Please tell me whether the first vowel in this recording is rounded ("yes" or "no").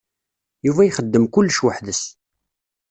yes